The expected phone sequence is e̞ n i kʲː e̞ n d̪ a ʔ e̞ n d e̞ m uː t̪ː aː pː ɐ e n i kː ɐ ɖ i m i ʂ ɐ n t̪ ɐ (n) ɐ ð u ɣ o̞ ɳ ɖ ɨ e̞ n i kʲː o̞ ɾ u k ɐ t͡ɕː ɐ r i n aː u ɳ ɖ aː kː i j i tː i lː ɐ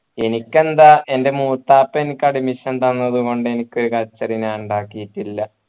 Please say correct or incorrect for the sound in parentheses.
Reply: incorrect